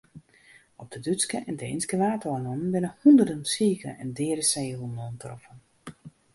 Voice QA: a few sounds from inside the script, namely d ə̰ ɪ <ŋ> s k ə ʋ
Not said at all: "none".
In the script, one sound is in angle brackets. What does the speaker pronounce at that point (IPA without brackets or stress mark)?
n